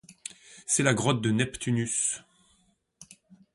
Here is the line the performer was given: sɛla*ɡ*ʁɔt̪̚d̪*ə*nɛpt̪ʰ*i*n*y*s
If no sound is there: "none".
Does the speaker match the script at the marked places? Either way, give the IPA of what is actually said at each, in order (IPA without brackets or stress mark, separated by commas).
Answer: ɡ, ə, y, y